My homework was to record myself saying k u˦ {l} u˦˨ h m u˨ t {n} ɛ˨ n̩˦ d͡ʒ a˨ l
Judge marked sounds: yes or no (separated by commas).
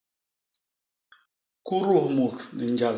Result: no, yes